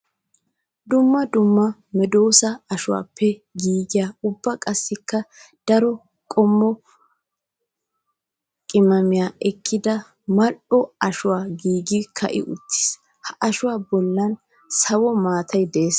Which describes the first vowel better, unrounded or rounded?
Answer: rounded